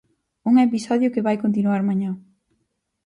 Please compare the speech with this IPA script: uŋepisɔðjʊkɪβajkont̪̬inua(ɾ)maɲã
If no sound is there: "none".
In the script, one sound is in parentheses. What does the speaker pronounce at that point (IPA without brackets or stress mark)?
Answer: ɾ